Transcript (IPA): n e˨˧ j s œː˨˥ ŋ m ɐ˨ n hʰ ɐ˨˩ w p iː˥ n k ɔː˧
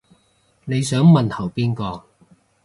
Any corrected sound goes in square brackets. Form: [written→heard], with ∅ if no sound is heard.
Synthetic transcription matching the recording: n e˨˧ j s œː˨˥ ŋ m ɐ˨ n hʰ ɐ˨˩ w p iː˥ n k ɔː˧